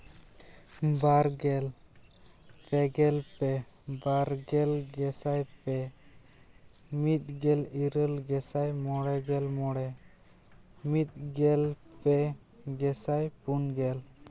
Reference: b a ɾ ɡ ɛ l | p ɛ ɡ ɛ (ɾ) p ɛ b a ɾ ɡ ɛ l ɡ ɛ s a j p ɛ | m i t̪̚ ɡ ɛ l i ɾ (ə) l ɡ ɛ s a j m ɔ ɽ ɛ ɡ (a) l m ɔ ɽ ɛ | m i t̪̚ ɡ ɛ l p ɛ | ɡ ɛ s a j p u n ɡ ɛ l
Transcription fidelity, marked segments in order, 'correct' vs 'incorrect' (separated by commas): incorrect, correct, incorrect